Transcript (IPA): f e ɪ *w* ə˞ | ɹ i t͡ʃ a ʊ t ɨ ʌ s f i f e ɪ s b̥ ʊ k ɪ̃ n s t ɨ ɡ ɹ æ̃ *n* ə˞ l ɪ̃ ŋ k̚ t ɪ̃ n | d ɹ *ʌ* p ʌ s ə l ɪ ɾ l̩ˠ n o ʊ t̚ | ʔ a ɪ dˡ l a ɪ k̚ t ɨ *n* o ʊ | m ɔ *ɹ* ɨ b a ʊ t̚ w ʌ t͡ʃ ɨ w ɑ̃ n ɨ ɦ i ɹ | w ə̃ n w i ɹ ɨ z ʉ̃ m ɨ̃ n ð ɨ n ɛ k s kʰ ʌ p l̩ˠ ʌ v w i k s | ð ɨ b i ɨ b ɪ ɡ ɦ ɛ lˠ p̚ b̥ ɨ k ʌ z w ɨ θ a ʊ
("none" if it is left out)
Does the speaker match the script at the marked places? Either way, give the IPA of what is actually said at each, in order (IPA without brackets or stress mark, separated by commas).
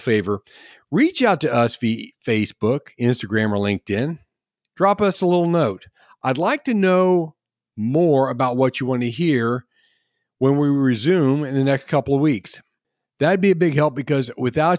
v, m, ɑ, n, ɹ